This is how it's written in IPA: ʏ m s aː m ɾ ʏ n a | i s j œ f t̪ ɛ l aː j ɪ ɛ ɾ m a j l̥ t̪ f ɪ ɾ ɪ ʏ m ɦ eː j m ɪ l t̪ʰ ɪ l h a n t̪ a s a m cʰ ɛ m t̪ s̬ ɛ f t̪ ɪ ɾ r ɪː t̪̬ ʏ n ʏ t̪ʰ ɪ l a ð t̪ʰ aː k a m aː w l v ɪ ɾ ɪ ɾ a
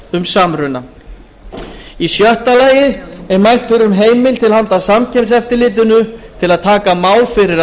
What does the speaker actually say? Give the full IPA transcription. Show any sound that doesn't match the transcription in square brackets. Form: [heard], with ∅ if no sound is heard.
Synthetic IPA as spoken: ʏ m s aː m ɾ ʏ n a | i s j œ [h] t̪ [a] l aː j ɪ ɛ ɾ m a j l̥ t̪ f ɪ ɾ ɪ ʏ m ɦ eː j m ɪ l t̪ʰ ɪ l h a n t̪ a s a m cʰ ɛ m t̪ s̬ ɛ f t̪ ɪ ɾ [l] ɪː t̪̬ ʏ n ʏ t̪ʰ ɪ l a ð t̪ʰ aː k a m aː w l [f] ɪ ɾ ɪ ɾ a